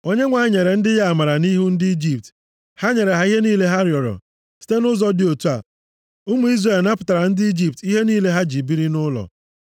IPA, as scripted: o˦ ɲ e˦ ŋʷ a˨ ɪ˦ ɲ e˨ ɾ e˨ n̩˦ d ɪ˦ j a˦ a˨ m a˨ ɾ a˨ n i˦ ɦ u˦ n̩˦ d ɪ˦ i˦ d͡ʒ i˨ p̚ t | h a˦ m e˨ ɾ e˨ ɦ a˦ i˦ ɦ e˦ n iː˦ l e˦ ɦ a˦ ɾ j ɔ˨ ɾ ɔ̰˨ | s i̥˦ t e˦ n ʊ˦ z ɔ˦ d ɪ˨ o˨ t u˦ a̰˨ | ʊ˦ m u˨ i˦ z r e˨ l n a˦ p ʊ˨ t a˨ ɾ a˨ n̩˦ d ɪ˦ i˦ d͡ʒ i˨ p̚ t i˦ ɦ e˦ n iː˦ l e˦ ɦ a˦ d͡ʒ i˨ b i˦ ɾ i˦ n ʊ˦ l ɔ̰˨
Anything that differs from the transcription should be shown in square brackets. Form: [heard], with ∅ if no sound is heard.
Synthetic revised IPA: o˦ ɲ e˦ ŋʷ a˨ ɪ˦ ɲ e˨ ɾ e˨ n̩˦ d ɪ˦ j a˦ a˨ m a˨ ɾ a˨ n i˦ ɦ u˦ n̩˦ d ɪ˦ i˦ d͡ʒ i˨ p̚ t | h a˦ [ɲ] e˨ ɾ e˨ ɦ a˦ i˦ ɦ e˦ n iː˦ l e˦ ɦ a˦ ɾ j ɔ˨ ɾ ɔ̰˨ | s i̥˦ t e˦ n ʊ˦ z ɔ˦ d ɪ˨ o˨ t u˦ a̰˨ | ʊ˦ m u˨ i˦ z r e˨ l n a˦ p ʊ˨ t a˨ ɾ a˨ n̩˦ d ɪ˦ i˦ d͡ʒ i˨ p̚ t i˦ ɦ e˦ n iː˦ l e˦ ɦ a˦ d͡ʒ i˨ b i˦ ɾ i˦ n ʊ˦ l ɔ̰˨